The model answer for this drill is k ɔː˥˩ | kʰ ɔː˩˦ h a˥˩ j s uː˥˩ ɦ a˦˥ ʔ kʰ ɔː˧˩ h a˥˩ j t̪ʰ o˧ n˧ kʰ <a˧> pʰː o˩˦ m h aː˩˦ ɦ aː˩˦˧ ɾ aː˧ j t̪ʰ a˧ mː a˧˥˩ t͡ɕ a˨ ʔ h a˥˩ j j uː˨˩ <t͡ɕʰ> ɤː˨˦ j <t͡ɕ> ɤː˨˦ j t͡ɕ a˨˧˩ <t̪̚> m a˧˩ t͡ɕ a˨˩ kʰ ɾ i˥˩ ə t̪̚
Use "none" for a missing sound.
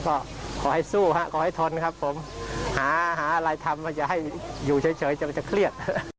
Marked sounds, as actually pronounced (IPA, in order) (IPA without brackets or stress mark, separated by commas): a˦˥, t͡ɕʰ, t͡ɕʰ, none